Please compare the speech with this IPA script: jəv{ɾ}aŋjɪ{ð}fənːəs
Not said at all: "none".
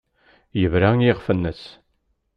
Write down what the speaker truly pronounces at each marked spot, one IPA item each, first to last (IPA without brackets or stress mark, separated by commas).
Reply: ɾ, ʁ